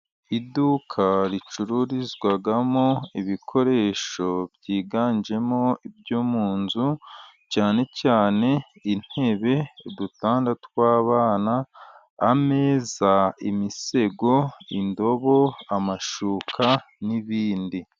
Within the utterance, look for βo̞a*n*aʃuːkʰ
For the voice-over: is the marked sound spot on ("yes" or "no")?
no